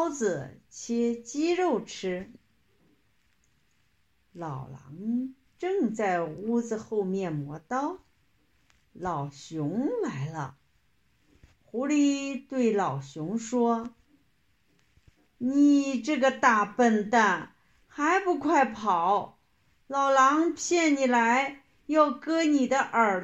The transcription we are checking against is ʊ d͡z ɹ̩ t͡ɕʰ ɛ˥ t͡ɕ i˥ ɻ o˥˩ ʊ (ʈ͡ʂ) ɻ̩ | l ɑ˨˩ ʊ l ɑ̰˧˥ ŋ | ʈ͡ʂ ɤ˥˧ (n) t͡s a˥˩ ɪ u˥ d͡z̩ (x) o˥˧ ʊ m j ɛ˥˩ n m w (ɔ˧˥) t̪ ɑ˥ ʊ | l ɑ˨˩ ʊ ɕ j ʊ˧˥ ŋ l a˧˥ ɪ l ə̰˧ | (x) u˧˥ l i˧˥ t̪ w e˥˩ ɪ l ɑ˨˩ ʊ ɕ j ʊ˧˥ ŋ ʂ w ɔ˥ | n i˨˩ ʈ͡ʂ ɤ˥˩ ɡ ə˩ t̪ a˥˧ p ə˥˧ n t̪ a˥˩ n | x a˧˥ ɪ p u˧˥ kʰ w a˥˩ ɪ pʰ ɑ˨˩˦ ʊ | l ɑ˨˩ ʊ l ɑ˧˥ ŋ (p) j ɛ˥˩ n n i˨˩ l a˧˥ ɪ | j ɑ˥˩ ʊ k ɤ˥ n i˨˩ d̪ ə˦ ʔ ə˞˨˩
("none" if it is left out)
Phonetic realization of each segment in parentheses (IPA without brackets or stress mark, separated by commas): ʈ͡ʂʰ, ŋ, x, ɔ˧˥, x, pʰ